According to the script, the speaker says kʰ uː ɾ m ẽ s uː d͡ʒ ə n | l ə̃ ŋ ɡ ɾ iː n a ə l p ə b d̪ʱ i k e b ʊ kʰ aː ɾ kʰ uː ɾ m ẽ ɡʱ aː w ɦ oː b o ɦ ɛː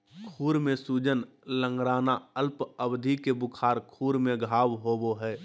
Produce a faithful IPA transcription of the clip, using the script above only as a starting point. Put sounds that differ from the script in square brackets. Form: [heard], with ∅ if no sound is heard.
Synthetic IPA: kʰ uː ɾ m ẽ s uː d͡ʒ ə n | l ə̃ ŋ ɡ ɾ [aː] n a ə l p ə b d̪ʱ i k e b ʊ kʰ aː ɾ kʰ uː ɾ m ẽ ɡʱ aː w ɦ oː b o ɦ ɛː